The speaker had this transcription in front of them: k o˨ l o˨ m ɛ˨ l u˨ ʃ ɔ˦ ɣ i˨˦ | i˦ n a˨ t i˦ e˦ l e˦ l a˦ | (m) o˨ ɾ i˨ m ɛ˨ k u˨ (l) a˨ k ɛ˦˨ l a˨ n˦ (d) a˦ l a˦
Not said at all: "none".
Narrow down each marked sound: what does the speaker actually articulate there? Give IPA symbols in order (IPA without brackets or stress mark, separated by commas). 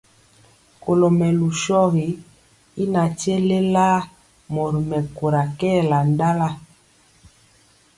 m, ɾ, d